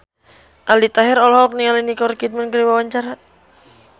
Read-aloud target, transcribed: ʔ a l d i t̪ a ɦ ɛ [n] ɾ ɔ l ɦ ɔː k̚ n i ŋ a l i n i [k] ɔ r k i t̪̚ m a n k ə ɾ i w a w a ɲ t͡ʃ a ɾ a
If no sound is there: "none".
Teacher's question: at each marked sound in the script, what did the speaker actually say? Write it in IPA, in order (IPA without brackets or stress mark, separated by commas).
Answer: none, k